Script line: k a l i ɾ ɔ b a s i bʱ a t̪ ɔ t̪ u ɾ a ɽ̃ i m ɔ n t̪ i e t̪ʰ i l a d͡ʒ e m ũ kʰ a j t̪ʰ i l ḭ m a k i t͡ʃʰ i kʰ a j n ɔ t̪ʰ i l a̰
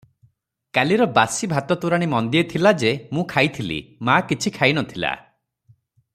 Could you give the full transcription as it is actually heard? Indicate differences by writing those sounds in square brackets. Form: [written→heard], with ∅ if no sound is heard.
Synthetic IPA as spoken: k a l i ɾ ɔ b a s i bʱ a t̪ ɔ t̪ u ɾ a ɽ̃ i m ɔ n [t̪→d̪] i e t̪ʰ i l a d͡ʒ e m ũ kʰ a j t̪ʰ i l ḭ m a k i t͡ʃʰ i kʰ a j n ɔ t̪ʰ i l a̰